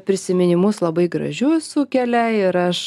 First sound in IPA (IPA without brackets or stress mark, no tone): pʲ